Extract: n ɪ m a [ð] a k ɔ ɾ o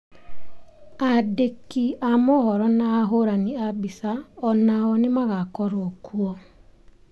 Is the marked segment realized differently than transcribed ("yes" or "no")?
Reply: yes